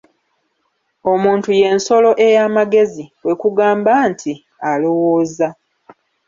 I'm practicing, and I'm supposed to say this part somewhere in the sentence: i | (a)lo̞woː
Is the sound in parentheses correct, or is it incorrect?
correct